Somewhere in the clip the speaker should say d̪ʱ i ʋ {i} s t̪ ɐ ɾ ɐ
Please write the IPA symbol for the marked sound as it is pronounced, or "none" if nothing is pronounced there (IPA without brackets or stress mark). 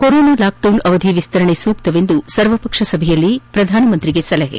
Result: i